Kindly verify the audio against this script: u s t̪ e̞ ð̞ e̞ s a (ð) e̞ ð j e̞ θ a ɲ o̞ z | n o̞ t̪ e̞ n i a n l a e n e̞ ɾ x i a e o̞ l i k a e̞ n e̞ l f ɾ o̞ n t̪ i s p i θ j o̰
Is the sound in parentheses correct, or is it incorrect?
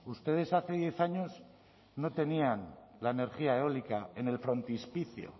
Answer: incorrect